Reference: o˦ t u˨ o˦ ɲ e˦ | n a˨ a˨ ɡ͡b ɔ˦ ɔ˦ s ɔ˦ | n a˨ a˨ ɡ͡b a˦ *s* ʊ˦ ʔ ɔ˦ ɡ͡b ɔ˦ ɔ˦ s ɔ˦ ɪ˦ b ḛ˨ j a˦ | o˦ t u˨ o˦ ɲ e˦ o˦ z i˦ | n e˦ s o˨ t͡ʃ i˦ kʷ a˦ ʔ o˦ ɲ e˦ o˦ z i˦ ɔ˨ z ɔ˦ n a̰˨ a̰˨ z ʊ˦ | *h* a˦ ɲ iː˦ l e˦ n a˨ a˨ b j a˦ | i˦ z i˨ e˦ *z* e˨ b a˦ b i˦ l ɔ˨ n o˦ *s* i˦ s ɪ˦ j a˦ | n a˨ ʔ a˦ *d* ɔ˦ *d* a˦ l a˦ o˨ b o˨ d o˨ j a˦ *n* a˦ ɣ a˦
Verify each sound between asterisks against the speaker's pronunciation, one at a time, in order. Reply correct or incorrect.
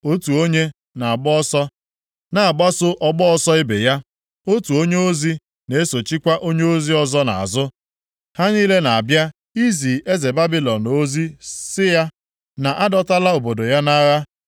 correct, correct, correct, incorrect, correct, incorrect, correct

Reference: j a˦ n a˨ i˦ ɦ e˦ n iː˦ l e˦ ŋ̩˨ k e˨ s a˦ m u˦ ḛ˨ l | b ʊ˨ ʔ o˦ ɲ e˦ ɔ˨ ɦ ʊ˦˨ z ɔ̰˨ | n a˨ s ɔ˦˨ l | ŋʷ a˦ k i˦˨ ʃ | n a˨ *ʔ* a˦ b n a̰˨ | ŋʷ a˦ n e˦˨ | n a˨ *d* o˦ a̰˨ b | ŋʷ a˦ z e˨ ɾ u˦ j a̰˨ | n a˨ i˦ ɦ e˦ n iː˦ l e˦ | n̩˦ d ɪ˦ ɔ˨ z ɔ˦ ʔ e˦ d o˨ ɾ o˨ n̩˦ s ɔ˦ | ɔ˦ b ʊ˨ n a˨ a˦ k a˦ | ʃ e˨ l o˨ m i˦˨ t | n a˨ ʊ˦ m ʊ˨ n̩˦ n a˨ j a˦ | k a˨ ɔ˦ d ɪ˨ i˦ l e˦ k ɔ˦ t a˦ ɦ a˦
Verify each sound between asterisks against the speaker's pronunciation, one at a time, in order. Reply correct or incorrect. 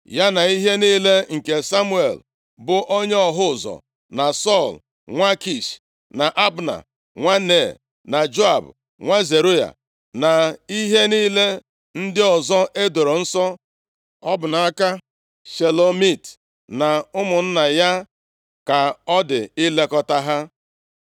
correct, incorrect

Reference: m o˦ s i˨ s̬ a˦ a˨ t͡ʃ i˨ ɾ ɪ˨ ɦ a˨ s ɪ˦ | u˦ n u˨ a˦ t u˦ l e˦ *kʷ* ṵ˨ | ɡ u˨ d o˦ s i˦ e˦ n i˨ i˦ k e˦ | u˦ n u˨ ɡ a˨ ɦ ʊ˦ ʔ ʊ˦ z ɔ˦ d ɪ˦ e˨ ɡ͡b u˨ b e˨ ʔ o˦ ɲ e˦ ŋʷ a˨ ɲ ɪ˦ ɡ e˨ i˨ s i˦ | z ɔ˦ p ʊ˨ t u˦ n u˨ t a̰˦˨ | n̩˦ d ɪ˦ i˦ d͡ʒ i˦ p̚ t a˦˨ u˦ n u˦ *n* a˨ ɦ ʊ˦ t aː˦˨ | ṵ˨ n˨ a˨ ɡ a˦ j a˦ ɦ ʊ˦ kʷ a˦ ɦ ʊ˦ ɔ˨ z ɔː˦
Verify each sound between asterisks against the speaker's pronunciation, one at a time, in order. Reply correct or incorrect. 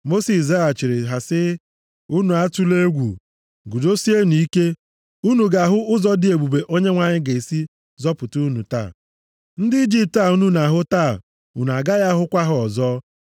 incorrect, correct

